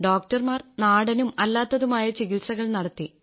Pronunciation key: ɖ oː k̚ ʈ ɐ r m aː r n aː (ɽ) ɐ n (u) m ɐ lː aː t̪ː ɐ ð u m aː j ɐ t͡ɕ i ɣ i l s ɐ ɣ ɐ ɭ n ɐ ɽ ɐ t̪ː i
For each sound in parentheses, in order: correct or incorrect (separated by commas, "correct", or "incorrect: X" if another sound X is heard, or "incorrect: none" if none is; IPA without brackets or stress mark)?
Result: correct, correct